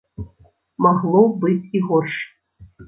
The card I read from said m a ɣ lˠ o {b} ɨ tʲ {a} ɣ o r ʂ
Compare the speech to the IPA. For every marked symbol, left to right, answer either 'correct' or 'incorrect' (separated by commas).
correct, incorrect